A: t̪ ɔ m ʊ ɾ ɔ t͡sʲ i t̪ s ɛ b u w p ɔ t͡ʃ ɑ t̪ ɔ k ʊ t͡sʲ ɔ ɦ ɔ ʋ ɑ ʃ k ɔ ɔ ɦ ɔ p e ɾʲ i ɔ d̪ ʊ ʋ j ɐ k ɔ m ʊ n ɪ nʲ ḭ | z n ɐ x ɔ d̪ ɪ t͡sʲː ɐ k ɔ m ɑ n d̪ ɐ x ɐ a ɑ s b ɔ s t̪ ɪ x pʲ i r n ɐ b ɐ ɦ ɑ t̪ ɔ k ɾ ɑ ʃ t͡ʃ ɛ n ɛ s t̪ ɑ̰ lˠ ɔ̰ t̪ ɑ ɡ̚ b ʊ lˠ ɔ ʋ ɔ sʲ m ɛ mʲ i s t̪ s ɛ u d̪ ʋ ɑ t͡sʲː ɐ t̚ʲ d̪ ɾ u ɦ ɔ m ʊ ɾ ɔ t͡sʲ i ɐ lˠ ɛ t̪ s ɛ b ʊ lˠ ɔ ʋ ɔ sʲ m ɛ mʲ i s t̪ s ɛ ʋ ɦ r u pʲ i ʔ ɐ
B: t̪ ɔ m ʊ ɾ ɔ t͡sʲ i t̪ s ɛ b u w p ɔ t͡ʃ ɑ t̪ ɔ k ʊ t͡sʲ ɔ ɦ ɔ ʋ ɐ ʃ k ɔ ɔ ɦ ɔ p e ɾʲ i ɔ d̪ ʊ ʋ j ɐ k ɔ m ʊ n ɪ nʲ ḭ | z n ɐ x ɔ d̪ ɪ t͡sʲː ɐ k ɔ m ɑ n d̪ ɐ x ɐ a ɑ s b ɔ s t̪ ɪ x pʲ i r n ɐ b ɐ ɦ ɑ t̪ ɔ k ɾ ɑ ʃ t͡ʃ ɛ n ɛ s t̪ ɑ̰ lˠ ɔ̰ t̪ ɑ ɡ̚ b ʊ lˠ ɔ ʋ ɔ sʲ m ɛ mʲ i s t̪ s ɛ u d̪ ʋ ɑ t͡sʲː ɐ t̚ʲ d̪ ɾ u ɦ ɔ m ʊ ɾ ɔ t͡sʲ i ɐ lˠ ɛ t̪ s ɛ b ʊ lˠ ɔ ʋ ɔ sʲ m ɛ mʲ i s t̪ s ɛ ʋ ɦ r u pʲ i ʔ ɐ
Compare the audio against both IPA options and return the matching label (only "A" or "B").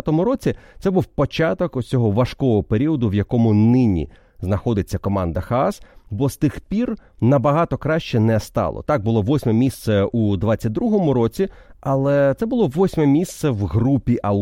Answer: B